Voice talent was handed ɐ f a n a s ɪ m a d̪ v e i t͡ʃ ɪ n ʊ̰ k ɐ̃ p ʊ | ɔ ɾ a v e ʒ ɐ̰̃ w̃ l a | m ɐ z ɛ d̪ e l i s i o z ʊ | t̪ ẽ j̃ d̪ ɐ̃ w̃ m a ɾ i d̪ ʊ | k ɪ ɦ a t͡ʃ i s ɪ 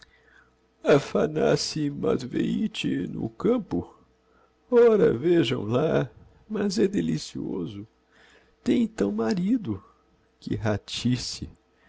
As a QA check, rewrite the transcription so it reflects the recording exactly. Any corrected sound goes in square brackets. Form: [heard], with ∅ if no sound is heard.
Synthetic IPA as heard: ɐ f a n a s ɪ m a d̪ v e i t͡ʃ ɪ n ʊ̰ k ɐ̃ p ʊ | ɔ ɾ [ɐ] v e ʒ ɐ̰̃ w̃ l a | m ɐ z ɛ d̪ e l i s i o z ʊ | t̪ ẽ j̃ [t̪] ɐ̃ w̃ m a ɾ i d̪ ʊ | k ɪ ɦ a t͡ʃ i s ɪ

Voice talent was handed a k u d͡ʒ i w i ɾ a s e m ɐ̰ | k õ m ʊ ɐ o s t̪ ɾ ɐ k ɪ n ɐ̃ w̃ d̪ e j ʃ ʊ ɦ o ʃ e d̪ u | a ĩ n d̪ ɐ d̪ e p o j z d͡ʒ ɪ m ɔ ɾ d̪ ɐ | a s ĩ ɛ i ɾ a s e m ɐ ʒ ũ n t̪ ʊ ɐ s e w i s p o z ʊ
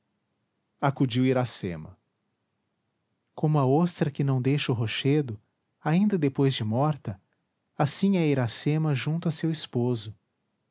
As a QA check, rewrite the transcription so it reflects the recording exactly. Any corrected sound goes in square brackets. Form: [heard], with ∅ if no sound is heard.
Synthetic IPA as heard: a k u d͡ʒ i w i ɾ a s e m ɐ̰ | k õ m ʊ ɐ o s t̪ ɾ ɐ k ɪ n ɐ̃ w̃ d̪ e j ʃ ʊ ɦ o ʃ e d̪ [ʊ] | a ĩ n d̪ ɐ d̪ e p o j z d͡ʒ ɪ m ɔ ɾ [t̪] ɐ | a s ĩ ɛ i ɾ a s e m ɐ ʒ ũ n t̪ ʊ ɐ s e w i s p o z ʊ

